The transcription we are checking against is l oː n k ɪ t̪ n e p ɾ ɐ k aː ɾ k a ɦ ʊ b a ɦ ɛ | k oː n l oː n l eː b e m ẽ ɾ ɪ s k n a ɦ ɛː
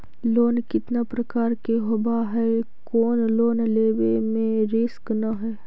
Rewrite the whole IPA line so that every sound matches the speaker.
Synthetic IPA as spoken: l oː n k ɪ t̪ n a p ɾ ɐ k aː ɾ k e ɦ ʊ b a ɦ ɛ | k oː n l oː n l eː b e m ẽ ɾ ɪ s k n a ɦ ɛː